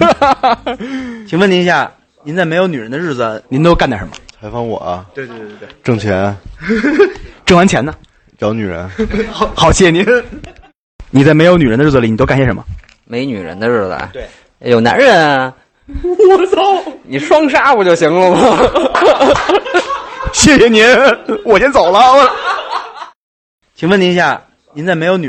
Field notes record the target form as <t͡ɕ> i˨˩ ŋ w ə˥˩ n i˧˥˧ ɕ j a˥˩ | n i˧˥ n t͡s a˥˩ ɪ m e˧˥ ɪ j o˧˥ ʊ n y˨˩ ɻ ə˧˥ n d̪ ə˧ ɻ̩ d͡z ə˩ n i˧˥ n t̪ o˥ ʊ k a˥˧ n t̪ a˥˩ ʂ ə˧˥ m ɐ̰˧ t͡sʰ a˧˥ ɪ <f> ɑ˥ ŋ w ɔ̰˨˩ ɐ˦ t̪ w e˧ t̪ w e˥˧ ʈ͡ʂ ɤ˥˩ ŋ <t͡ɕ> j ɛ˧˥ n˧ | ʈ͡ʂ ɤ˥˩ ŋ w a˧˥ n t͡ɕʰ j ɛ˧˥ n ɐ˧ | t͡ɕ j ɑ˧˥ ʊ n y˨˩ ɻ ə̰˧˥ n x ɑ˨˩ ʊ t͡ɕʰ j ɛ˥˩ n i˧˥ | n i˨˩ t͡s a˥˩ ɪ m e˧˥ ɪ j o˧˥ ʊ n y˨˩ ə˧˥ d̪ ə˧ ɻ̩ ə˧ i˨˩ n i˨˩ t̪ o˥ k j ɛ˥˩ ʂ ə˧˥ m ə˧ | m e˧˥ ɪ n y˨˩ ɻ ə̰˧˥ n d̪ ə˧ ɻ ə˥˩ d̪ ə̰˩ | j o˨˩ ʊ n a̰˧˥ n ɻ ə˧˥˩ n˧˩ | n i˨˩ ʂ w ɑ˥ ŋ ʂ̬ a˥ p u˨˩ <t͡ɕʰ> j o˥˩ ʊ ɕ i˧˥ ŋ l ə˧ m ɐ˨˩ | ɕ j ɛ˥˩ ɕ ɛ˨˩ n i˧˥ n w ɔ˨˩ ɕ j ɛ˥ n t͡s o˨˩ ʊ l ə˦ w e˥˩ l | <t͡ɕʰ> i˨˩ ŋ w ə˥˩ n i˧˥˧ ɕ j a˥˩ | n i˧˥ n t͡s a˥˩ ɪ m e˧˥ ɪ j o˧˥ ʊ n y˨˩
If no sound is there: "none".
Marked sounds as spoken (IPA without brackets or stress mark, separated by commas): t͡ɕʰ, f, t͡ɕʰ, t͡ɕ, t͡ɕʰ